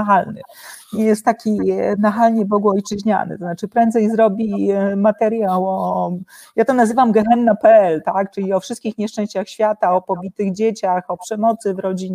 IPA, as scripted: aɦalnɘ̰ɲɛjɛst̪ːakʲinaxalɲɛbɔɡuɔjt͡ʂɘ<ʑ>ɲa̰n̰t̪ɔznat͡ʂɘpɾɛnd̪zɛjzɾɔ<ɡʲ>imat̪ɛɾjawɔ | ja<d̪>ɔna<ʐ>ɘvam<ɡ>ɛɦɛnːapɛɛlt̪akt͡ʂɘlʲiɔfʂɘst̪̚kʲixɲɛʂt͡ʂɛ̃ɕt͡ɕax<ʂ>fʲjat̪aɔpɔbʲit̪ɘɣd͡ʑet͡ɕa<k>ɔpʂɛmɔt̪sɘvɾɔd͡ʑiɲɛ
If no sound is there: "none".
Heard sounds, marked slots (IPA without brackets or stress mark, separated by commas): ʑ, bʲ, t̪, z, ɡ, ɕ, x